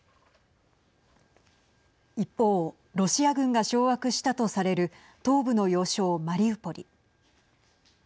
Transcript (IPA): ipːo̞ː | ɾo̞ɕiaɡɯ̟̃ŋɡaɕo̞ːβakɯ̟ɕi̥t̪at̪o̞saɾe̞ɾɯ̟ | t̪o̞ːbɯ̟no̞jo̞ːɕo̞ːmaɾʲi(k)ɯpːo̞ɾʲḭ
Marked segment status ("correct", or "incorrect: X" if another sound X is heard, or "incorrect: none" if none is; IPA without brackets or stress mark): incorrect: none